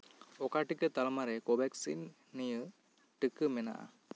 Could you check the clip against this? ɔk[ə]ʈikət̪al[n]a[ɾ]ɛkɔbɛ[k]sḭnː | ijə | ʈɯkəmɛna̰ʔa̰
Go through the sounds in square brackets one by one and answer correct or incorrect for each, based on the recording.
incorrect: a, incorrect: m, correct, correct

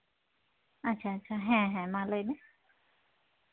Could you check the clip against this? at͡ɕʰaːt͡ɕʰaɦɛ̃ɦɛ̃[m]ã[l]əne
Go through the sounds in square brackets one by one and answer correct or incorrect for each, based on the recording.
correct, correct

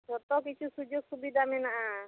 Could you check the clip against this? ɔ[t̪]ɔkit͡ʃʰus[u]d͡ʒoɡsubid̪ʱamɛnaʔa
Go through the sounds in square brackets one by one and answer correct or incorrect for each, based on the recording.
correct, correct

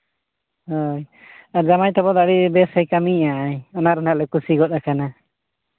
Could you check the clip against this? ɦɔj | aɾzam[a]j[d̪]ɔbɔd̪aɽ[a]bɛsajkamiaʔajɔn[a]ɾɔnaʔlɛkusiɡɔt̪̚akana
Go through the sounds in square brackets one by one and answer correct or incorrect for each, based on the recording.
correct, incorrect: t̪, incorrect: i, correct

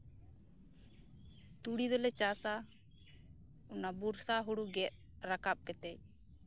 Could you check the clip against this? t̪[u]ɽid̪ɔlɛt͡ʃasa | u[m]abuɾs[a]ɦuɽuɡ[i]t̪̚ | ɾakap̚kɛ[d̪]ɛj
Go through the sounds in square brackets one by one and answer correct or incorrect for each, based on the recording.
correct, incorrect: n, correct, incorrect: ɛ, incorrect: t̪

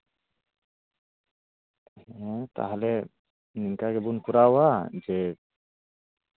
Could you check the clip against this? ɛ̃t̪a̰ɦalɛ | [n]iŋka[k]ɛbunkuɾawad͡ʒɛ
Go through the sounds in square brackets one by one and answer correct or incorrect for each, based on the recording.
correct, incorrect: ɡ

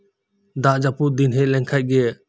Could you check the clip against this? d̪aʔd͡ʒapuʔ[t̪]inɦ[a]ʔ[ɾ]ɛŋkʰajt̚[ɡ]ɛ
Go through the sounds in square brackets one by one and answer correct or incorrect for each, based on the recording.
incorrect: d̪, incorrect: ɛ, incorrect: l, correct

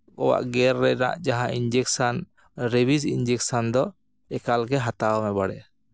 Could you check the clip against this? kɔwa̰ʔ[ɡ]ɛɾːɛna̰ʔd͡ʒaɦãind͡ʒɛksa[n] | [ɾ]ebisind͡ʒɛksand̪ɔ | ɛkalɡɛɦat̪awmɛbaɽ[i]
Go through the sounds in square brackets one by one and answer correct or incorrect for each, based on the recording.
correct, correct, correct, incorrect: ɛ

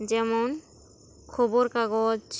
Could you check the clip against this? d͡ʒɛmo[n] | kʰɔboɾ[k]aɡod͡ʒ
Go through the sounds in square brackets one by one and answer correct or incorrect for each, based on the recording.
correct, correct

